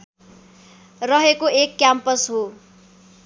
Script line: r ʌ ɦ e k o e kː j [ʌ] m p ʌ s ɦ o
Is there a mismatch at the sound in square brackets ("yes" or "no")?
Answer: yes